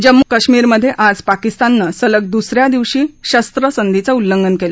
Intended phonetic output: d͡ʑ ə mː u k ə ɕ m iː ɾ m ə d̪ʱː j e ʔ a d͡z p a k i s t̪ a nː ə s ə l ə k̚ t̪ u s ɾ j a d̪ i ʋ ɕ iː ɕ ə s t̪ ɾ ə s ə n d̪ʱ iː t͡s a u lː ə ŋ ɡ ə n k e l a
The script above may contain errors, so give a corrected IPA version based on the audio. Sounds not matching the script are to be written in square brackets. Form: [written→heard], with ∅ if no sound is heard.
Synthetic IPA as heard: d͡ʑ ə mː u k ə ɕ m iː ɾ m ə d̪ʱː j e ʔ a d͡z p a k i s t̪ a nː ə s ə l ə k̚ [t̪→d̪] u s ɾ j a d̪ i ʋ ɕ iː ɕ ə s t̪ ɾ ə s ə n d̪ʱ [iː→i] t͡s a u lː ə ŋ ɡ ə n k e l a